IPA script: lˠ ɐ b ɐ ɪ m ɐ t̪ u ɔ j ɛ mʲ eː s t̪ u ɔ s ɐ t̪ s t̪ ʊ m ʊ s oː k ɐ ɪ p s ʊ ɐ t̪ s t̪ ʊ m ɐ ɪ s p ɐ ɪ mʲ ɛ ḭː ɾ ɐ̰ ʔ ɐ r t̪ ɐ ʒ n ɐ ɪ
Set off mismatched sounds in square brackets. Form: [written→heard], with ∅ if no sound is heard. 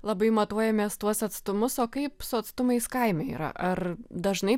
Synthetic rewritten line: lˠ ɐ b ɐ ɪ m ɐ t̪ u ɔ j ɛ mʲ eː s t̪ u ɔ s ɐ t̪ s t̪ ʊ m ʊ s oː k ɐ ɪ p s ʊ ɐ t̪ s t̪ ʊ m ɐ ɪ s [p→k] ɐ ɪ mʲ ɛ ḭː ɾ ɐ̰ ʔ ɐ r [t̪→d̪] ɐ ʒ n ɐ ɪ